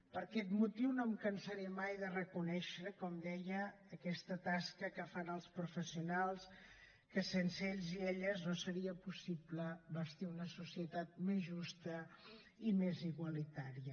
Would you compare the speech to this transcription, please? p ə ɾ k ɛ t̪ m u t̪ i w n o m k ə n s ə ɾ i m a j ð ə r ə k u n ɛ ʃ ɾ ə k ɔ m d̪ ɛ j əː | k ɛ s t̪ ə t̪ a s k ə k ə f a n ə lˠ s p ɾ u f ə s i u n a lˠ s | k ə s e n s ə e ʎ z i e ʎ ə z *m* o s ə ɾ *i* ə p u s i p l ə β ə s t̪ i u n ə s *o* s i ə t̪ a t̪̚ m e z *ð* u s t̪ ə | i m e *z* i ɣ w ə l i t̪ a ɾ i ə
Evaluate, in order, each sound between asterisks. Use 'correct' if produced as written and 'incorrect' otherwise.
incorrect: n, correct, incorrect: u, incorrect: ʒ, correct

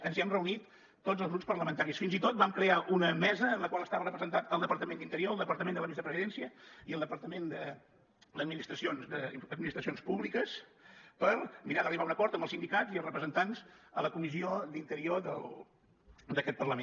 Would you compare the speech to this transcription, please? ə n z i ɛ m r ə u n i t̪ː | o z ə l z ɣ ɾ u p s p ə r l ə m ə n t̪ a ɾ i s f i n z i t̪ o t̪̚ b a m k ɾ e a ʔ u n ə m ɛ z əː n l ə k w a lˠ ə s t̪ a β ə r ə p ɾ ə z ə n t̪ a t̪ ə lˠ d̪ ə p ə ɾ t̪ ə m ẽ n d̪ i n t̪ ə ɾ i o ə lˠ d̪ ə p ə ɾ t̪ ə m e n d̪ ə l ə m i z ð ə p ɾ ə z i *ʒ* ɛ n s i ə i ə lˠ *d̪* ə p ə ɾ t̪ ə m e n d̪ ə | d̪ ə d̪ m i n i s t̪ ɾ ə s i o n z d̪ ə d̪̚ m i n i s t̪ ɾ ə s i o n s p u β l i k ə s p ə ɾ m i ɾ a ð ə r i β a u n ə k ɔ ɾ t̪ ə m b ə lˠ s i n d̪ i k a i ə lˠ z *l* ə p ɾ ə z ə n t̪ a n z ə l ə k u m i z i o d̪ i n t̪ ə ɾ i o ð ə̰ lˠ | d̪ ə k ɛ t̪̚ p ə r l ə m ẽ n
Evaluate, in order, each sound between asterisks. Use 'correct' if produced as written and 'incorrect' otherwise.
incorrect: ð, correct, incorrect: r

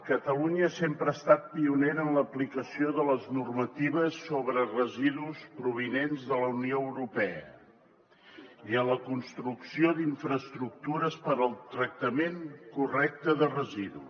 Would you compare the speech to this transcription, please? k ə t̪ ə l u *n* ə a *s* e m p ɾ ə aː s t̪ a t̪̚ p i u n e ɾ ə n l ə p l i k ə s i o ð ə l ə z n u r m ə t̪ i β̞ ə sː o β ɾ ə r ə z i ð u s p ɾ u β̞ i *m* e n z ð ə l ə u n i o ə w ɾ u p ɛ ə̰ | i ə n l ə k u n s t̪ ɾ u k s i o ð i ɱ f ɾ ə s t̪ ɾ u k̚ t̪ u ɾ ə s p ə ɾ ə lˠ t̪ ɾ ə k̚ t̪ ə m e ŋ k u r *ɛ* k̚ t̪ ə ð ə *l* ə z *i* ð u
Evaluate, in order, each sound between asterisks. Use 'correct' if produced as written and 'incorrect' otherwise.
incorrect: ɲ, correct, incorrect: n, correct, incorrect: r, correct

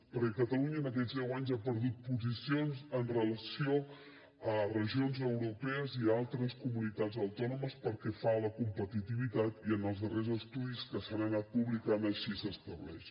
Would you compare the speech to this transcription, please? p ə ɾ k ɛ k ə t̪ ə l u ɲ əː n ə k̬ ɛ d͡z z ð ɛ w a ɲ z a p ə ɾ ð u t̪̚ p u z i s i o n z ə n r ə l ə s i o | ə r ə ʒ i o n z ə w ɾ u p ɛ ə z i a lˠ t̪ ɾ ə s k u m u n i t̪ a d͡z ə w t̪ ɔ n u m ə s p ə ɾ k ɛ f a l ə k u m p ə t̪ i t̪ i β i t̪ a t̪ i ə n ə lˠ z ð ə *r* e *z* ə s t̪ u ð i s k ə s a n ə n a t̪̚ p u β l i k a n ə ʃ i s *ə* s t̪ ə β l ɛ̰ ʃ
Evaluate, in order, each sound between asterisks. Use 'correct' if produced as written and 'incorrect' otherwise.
correct, correct, correct

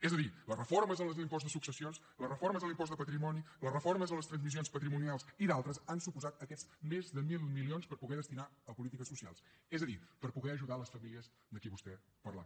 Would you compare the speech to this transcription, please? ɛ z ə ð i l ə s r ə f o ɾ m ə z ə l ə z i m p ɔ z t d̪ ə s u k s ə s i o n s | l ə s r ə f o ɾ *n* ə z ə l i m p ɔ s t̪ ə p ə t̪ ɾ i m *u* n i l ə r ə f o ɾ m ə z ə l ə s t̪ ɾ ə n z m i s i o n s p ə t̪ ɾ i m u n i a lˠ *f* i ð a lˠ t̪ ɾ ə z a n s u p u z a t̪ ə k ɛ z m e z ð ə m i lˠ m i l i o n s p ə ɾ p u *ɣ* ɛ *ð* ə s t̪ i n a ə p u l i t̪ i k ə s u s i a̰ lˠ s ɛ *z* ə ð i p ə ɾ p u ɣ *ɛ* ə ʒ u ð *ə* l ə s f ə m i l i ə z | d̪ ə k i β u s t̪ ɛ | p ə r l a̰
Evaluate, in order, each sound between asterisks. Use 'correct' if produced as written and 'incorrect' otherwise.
incorrect: m, incorrect: ɔ, incorrect: s, correct, correct, correct, correct, incorrect: a

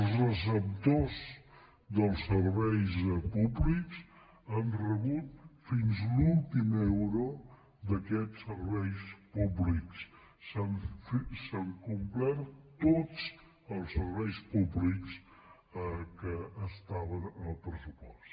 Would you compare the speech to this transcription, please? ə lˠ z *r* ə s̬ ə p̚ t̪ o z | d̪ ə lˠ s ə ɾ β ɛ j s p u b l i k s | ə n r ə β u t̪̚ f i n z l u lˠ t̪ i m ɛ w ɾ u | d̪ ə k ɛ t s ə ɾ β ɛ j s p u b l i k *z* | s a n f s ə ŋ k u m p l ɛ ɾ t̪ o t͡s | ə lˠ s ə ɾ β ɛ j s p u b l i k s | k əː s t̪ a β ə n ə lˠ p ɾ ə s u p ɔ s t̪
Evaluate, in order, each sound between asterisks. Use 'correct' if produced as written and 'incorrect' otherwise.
correct, incorrect: s

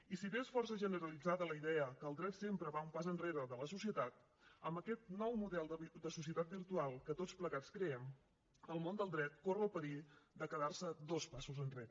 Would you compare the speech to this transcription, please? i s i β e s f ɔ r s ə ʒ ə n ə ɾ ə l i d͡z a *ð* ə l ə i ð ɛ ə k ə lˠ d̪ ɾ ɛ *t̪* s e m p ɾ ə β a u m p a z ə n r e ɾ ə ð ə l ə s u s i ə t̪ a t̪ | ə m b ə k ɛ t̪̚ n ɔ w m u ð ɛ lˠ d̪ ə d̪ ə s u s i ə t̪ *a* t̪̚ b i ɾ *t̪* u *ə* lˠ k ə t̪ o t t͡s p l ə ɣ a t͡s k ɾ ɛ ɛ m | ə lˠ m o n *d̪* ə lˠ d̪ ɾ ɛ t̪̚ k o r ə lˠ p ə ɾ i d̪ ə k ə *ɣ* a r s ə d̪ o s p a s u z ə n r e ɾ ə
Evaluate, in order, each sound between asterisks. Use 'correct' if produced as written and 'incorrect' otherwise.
correct, correct, correct, correct, incorrect: a, correct, incorrect: ð

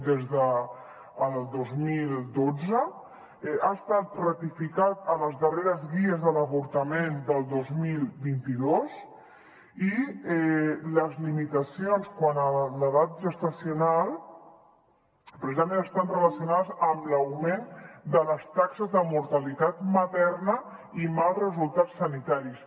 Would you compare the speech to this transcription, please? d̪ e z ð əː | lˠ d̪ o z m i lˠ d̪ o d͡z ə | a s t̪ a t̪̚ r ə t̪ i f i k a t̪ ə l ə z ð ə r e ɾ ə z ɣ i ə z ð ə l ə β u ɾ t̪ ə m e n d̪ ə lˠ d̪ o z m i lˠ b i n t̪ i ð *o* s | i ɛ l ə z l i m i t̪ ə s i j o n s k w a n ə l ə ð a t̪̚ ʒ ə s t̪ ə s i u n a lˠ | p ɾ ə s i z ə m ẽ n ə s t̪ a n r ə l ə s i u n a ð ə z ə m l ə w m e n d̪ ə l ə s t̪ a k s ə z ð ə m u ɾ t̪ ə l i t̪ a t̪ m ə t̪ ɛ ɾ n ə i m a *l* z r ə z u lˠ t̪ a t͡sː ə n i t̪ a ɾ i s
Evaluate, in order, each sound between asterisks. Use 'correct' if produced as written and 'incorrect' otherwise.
correct, correct

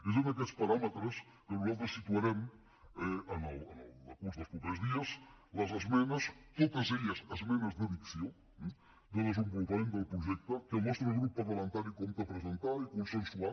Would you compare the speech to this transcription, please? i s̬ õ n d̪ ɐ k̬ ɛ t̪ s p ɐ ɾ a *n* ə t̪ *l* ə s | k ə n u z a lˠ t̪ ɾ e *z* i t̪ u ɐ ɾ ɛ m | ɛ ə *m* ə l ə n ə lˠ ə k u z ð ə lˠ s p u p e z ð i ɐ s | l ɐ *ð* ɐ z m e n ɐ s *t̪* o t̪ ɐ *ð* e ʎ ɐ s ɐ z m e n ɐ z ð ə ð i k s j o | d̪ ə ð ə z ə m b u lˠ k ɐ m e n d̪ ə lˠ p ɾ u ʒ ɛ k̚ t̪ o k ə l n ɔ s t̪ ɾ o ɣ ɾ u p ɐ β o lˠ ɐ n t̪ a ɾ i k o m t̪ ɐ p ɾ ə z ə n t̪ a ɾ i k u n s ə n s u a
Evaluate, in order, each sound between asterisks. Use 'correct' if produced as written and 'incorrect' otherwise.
incorrect: m, incorrect: ɾ, incorrect: s, incorrect: n, incorrect: z, correct, incorrect: z

